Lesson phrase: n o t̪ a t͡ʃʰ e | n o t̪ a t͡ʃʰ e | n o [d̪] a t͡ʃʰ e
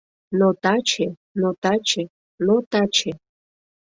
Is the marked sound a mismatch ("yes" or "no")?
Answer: yes